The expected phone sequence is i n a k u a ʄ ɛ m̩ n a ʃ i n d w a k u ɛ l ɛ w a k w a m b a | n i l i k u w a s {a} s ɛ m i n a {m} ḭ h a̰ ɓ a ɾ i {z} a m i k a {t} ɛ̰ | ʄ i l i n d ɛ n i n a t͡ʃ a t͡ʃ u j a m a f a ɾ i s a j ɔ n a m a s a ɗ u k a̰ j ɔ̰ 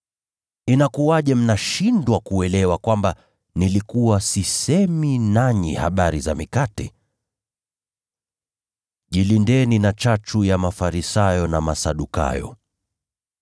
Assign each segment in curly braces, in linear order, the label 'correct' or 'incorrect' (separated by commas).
incorrect, incorrect, correct, correct